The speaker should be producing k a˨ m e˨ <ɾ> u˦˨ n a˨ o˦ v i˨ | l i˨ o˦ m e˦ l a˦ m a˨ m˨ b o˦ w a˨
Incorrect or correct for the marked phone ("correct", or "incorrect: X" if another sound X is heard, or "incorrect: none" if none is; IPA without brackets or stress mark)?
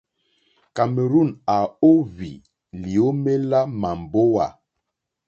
correct